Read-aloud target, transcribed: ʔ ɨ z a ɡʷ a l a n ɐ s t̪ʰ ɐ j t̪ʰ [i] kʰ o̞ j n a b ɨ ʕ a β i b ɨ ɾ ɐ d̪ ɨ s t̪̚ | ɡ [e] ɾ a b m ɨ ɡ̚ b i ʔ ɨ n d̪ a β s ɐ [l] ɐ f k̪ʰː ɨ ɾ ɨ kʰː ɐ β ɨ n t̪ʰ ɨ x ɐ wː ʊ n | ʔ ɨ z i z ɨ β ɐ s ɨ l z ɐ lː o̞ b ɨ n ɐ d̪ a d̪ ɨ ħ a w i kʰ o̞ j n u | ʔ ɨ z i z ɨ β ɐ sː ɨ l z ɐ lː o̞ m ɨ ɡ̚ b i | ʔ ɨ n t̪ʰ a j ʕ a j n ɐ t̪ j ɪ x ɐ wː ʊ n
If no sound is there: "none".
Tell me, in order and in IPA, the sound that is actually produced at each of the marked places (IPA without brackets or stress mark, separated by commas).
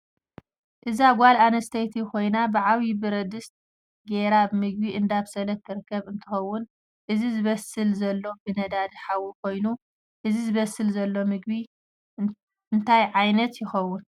i, e, l